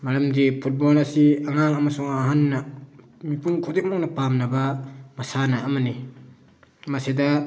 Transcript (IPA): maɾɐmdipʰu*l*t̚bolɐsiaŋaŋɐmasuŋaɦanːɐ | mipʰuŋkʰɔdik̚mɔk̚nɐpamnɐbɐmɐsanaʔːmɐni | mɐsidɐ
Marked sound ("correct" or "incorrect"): incorrect